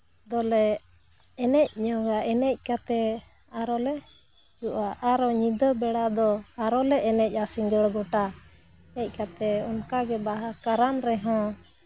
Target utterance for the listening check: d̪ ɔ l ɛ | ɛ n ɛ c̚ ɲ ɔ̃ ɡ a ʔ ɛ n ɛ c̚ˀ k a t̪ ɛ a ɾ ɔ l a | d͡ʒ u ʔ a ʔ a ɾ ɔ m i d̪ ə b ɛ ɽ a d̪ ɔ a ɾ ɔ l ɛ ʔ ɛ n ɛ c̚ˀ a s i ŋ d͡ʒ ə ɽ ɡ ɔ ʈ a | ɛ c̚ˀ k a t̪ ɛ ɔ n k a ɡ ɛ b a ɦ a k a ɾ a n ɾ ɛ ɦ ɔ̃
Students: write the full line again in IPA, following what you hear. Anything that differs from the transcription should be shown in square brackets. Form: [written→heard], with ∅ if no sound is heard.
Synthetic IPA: d̪ ɔ l ɛ | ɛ n ɛ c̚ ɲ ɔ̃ ɡ a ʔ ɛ n ɛ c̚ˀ k a t̪ ɛ a ɾ ɔ l [a→ɛ] | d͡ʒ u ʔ a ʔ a ɾ ɔ [m→ɲ] i d̪ ə b ɛ ɽ a d̪ ɔ a ɾ ɔ l ɛ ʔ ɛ n ɛ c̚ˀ a s i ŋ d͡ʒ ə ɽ ɡ ɔ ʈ a | ɛ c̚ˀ k a t̪ ɛ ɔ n k a ɡ ɛ b a ɦ a k a ɾ a n ɾ ɛ ɦ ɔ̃